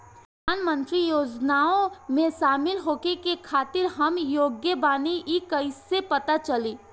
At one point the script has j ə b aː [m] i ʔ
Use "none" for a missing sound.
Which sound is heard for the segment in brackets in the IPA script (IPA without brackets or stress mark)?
n